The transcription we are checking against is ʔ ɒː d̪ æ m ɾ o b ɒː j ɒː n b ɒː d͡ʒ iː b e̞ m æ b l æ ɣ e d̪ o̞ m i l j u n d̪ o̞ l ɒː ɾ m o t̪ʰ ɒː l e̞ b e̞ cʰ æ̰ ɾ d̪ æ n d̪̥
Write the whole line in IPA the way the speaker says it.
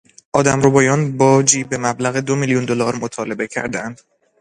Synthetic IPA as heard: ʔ ɒː d̪ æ m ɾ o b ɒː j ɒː n b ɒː d͡ʒ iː b e̞ m æ b l æ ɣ e d̪ o̞ m i l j u n d̪ o̞ l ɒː ɾ m o t̪ʰ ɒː l e̞ b e̞ cʰ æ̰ ɾ d̪ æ n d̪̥